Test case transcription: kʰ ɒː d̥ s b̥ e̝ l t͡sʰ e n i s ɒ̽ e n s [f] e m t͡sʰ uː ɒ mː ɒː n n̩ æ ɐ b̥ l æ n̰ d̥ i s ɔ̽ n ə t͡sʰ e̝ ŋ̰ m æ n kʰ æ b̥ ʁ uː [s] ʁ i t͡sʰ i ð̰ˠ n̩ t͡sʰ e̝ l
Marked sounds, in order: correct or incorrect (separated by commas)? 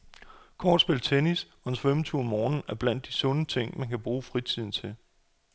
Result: correct, incorrect